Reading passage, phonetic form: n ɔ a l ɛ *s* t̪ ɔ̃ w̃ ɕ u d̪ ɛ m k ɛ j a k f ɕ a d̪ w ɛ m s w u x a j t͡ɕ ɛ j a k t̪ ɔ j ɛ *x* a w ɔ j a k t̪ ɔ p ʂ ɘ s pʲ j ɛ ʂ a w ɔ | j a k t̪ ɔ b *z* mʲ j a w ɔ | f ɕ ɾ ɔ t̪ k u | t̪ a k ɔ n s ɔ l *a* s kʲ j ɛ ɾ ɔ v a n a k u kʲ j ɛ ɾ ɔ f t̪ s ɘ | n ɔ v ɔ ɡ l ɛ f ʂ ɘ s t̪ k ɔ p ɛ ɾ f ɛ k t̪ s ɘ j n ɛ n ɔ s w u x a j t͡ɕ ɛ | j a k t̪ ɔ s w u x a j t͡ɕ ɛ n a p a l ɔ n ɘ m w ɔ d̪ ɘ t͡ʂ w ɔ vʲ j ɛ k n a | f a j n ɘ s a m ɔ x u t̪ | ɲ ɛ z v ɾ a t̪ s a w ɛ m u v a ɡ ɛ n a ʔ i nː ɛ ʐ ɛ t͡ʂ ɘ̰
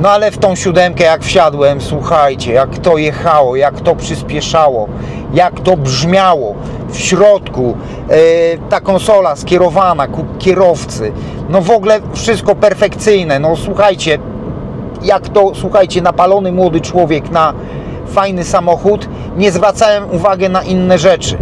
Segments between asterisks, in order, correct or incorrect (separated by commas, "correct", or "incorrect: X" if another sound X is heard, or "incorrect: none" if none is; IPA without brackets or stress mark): incorrect: f, correct, incorrect: ʐ, correct